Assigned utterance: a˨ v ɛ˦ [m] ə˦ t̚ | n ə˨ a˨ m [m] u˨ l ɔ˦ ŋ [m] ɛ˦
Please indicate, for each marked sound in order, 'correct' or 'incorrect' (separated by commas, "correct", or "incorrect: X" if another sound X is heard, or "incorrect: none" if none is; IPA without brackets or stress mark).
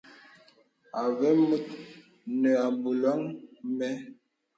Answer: correct, incorrect: b, correct